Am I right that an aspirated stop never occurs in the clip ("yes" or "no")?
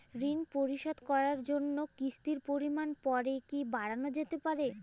yes